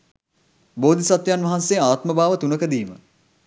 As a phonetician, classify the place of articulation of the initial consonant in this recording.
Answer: labial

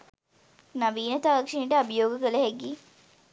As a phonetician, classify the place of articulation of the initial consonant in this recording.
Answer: alveolar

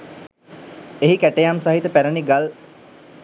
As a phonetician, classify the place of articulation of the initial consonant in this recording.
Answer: glottal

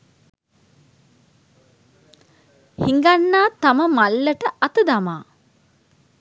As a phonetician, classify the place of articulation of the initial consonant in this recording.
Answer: glottal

